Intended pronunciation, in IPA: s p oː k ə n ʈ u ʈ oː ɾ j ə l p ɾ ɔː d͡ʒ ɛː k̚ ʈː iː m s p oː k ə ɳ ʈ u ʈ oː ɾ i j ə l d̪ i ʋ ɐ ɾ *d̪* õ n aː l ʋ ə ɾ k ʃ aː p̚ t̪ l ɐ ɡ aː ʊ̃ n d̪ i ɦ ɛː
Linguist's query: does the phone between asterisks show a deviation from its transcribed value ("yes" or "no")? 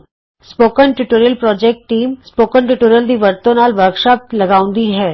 yes